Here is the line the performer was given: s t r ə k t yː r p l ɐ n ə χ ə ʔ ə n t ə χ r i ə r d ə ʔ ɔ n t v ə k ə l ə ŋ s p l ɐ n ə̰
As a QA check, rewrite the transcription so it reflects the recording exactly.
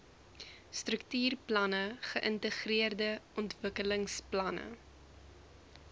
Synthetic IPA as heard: s t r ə k t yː r p l ɐ n ə χ ə ʔ ə n t ə χ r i ə r d ə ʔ ɔ n t v ə k ə l ə ŋ s p l ɐ n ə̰